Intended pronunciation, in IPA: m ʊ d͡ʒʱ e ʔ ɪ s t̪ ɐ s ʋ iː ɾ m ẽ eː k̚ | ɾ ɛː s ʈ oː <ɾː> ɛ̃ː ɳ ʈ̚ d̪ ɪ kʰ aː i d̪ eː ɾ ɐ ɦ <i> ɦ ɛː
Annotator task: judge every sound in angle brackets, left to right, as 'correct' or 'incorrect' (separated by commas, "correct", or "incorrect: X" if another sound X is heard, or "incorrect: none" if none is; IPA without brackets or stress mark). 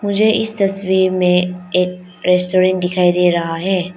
incorrect: ɾ, incorrect: a